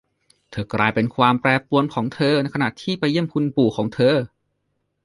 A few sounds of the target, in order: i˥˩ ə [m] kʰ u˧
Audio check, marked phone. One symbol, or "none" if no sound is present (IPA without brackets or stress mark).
m